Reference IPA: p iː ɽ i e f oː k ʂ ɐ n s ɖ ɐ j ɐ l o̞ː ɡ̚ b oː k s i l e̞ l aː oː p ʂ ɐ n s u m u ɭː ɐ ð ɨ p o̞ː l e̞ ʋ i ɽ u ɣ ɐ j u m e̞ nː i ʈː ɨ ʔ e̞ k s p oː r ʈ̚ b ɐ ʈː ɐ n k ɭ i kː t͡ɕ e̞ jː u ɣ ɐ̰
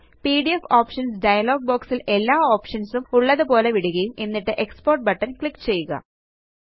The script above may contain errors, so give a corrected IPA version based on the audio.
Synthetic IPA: p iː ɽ i e f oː p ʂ ɐ n s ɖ ɐ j ɐ l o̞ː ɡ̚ b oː k s i l e̞ lː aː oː p ʂ ɐ n s u m u ɭː ɐ ð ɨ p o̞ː l e̞ ʋ i ɽ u ɣ ɐ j u m e̞ nː i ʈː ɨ ʔ e̞ k s p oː r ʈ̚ b ɐ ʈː ɐ n k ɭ i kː t͡ɕ e̞ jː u ɣ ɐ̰